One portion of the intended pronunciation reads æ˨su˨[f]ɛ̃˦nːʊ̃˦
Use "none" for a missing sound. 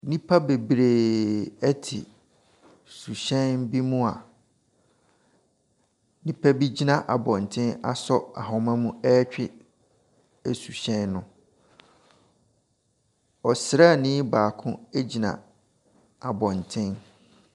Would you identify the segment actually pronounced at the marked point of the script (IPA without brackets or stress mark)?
ɕ